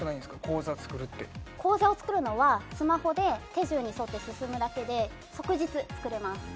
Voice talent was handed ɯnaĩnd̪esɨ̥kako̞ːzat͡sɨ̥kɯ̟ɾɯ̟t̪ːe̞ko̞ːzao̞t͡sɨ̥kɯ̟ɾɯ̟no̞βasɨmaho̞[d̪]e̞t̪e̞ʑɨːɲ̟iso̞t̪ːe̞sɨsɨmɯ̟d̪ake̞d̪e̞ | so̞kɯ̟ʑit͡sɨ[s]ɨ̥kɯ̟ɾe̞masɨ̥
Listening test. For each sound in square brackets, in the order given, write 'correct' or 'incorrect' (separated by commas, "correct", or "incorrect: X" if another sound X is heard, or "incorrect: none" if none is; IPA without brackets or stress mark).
correct, incorrect: t͡s